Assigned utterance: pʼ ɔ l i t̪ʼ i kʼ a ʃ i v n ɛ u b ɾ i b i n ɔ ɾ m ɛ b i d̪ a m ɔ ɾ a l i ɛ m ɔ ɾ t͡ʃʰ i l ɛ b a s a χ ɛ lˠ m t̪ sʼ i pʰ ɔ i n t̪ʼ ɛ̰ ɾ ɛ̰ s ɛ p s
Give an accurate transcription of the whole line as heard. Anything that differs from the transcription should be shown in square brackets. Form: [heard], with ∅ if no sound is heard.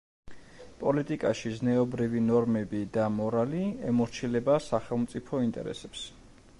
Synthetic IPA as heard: pʼ ɔ l i t̪ʼ i kʼ a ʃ i [z] n ɛ [ɔ] b ɾ i [v] i n ɔ ɾ m ɛ b i d̪ a m ɔ ɾ a l i ɛ m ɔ ɾ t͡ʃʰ i l ɛ b a s a χ ɛ lˠ m t̪ sʼ i pʰ ɔ i n t̪ʼ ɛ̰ ɾ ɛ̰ s ɛ p s